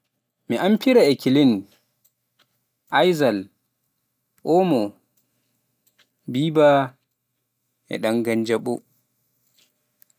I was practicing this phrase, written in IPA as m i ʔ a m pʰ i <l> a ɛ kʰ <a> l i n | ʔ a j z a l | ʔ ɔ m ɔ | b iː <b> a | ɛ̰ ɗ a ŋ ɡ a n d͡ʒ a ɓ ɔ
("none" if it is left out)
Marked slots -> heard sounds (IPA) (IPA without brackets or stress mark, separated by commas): ɾ, i, b